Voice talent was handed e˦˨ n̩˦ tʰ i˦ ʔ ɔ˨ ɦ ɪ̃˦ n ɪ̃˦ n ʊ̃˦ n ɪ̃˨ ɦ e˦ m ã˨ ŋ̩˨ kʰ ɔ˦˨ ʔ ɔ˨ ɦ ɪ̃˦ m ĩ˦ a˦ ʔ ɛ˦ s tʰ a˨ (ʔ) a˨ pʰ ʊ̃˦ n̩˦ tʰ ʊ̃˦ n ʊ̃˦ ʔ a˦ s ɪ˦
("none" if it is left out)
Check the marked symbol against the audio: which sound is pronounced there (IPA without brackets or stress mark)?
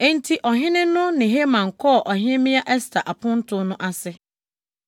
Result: ʔ